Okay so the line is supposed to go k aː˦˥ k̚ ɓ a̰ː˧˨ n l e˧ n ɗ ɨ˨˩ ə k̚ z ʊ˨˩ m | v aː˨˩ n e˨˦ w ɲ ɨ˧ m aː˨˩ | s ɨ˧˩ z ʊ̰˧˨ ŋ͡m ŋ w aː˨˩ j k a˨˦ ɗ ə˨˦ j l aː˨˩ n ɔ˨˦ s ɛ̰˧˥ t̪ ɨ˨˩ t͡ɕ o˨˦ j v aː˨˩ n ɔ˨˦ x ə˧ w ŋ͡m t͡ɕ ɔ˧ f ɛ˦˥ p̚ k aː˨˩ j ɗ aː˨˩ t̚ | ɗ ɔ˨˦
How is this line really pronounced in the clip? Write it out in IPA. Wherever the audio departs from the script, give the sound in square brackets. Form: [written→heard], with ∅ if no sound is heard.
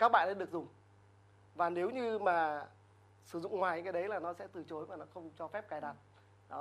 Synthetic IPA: k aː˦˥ k̚ ɓ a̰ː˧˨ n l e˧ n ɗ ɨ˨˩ ə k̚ z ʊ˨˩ [m→ŋ͡m] | v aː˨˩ n e˨˦ w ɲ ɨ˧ m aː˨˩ | s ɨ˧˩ z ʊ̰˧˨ ŋ͡m ŋ w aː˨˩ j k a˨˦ ɗ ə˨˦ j l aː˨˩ n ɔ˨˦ s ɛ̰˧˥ t̪ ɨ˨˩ t͡ɕ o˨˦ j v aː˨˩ n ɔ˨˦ x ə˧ w ŋ͡m t͡ɕ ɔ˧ f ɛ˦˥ p̚ k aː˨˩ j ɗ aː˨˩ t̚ | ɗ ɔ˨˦